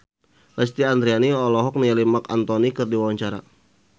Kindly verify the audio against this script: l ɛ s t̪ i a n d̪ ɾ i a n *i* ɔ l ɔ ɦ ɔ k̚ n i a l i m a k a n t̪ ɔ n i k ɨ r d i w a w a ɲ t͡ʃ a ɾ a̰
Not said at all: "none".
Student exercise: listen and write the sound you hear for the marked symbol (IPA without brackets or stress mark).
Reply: i